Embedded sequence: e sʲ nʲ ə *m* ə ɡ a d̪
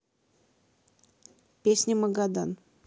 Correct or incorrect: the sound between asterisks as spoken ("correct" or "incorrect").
correct